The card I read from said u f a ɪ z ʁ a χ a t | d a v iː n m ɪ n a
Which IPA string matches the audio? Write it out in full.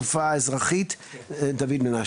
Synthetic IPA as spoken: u f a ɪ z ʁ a χ i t | d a v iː d m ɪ n a